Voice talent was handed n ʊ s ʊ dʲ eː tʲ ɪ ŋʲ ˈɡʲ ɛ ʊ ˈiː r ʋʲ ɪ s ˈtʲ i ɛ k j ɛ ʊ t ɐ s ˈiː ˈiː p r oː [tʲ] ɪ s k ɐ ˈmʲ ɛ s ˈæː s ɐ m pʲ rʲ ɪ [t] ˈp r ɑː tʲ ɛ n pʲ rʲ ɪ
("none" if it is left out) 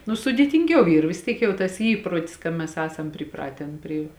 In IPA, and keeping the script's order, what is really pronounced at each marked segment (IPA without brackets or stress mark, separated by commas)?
tʲ, none